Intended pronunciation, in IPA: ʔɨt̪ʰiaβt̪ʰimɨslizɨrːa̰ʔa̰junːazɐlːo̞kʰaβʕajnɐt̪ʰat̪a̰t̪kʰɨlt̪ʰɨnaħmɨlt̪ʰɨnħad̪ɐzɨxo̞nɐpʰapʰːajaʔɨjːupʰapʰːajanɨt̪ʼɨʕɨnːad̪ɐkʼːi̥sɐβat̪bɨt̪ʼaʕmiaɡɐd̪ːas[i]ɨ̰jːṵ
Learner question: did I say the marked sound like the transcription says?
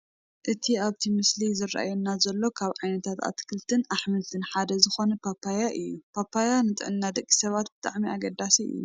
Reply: yes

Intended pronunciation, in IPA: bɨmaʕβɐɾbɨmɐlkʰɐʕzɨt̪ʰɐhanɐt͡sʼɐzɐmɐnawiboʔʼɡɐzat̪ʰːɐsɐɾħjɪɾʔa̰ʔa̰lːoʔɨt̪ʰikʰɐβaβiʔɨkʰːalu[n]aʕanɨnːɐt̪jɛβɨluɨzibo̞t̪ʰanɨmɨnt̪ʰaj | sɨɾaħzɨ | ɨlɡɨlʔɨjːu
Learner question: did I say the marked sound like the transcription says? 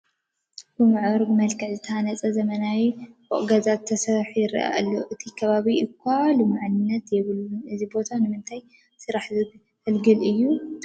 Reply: no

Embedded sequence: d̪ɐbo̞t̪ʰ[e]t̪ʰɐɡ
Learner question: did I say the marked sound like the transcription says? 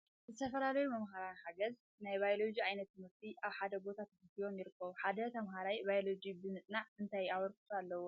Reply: no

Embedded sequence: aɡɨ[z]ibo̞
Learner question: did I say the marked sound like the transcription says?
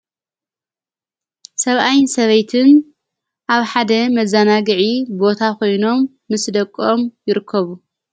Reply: no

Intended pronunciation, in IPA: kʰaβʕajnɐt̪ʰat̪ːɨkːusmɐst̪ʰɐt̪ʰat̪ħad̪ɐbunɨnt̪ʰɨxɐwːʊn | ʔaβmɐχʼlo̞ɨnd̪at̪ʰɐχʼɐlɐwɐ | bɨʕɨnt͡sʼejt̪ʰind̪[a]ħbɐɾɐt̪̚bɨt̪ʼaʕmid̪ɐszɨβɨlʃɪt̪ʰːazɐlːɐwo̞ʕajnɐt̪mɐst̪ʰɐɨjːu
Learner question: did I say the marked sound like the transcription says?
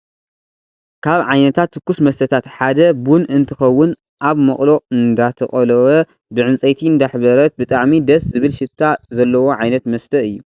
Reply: yes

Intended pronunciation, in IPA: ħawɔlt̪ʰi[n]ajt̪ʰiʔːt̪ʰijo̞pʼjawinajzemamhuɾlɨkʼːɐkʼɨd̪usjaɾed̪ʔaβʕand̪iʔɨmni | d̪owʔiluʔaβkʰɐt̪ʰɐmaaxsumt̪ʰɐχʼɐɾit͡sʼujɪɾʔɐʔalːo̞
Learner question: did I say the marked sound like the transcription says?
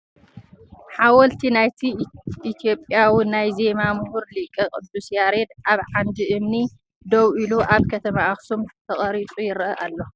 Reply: yes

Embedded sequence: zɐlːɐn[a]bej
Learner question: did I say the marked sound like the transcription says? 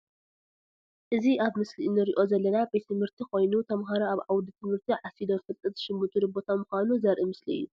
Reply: yes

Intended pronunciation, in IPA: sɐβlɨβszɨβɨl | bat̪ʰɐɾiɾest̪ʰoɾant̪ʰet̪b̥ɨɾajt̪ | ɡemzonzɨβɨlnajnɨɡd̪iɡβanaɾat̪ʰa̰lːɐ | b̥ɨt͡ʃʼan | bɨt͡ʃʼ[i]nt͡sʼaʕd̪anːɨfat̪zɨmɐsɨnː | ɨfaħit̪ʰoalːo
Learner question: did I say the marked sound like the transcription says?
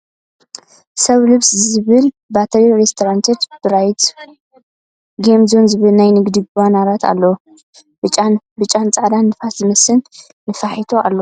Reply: no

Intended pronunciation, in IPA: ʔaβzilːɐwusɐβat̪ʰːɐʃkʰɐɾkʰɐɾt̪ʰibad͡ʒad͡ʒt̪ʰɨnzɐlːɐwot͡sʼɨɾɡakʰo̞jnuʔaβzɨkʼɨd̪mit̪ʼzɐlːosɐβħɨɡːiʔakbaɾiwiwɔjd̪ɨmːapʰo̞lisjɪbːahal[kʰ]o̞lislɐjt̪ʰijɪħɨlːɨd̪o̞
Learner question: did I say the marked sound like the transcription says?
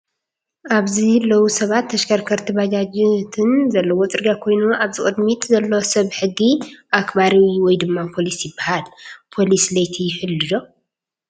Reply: no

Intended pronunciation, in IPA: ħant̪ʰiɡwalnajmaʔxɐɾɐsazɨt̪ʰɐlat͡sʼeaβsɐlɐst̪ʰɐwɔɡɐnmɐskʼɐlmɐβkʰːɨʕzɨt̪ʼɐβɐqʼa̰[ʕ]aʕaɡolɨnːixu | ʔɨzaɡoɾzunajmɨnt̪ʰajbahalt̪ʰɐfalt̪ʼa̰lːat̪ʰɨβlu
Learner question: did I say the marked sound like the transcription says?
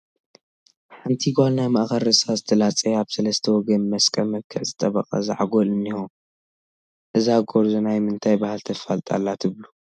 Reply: no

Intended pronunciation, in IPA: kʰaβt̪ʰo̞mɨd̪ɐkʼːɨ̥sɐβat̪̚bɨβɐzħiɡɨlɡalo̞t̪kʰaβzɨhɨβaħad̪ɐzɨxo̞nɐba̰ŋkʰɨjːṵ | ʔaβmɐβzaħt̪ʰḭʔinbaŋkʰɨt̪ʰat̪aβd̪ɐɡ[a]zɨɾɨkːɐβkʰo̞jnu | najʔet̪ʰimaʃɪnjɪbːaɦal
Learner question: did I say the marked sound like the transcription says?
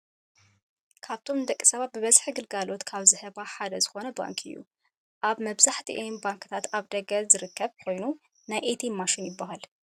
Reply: no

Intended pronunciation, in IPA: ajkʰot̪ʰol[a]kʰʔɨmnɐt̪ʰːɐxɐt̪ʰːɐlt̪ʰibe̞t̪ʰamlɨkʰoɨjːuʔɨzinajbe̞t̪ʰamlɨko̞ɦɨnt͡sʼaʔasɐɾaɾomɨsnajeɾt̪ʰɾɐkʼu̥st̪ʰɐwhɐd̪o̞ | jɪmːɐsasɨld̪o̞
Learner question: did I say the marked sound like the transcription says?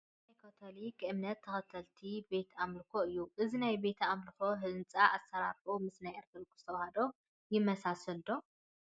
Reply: no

